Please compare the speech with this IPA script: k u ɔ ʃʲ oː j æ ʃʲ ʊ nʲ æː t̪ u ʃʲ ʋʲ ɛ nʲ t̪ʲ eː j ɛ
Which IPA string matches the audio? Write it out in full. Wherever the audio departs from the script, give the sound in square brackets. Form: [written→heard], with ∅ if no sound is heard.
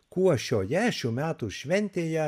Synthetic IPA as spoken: k u ɔ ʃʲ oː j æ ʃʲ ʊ [nʲ→mʲ] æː t̪ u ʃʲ ʋʲ ɛ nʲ t̪ʲ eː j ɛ